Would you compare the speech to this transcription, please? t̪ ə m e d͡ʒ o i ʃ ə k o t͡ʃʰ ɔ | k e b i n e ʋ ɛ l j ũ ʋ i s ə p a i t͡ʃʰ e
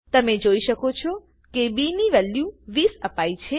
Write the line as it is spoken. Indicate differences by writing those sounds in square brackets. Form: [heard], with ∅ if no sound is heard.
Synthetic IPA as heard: t̪ ə m e d͡ʒ o i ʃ ə k o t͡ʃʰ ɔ | k e b i n [i] ʋ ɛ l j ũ ʋ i s ə p a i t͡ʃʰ e